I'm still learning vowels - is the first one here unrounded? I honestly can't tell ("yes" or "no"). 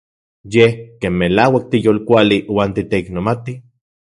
yes